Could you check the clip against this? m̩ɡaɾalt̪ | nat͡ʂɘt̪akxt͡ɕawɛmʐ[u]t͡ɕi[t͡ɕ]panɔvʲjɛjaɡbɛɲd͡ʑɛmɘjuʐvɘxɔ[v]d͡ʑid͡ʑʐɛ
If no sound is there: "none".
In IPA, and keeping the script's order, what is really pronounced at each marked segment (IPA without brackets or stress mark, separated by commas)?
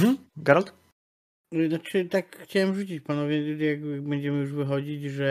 u, t͡ɕ, none